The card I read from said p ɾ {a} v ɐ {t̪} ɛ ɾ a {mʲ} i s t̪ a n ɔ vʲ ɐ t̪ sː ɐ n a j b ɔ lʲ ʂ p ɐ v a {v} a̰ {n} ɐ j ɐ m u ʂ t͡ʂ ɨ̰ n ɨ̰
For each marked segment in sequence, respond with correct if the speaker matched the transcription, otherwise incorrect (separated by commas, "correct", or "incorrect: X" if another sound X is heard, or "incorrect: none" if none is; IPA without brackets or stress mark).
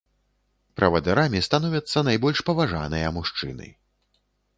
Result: incorrect: ɐ, incorrect: d̪, correct, incorrect: ʐ, correct